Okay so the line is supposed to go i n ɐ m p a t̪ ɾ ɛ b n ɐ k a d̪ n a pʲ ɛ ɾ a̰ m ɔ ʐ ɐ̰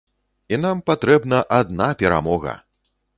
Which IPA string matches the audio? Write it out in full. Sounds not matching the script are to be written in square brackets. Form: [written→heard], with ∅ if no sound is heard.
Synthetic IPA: i n [ɐ→a] m p a t̪ ɾ ɛ b n ɐ [k→ʔ] a d̪ n a pʲ ɛ ɾ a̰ m ɔ [ʐ→ɣ] ɐ̰